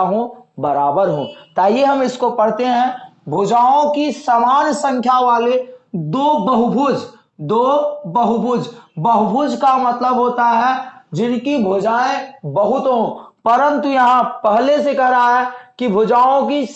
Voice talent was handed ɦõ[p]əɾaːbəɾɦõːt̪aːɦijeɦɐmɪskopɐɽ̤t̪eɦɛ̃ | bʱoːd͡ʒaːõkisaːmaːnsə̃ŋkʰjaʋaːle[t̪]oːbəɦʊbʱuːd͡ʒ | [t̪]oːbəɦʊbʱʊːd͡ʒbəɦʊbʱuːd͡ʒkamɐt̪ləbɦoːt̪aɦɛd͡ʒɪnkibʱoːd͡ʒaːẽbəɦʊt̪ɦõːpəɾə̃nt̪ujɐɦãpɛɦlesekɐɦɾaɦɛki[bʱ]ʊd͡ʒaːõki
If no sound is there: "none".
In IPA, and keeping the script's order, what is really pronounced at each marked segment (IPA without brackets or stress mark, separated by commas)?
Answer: b, d̪, d̪, bʱ